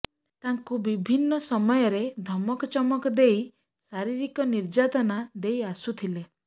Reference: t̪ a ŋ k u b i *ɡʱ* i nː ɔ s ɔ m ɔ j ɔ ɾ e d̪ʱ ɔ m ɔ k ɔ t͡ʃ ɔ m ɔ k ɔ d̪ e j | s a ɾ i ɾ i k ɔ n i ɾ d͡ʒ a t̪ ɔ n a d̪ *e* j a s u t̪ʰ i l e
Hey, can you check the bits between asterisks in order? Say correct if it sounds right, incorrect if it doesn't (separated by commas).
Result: incorrect, correct